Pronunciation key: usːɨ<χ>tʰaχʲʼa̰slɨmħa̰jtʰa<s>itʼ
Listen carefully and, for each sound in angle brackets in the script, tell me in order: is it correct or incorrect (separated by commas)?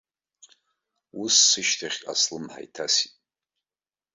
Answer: incorrect, correct